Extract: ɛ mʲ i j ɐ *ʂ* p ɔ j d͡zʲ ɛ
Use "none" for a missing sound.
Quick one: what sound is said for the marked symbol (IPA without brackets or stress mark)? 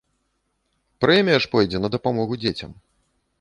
ʂ